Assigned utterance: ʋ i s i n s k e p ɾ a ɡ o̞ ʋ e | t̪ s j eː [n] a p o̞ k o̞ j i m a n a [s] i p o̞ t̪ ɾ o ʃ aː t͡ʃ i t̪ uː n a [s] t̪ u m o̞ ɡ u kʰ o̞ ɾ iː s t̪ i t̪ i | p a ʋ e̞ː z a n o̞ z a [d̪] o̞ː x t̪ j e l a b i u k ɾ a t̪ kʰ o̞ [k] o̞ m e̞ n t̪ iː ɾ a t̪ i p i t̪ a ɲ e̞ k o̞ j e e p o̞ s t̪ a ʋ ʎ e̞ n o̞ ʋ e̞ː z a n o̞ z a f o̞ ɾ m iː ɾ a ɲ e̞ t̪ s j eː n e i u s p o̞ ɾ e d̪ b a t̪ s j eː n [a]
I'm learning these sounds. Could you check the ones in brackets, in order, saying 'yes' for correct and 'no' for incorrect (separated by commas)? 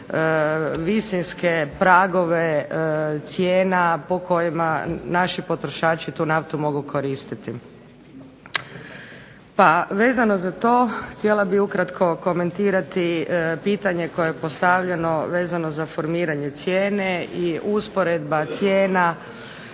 yes, no, no, no, yes, yes